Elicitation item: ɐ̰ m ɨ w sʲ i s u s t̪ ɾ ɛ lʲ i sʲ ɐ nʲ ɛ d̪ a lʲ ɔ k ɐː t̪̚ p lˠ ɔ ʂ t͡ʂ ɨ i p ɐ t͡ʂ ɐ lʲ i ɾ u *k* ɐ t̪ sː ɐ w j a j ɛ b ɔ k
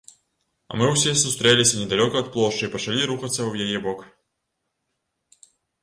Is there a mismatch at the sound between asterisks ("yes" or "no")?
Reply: yes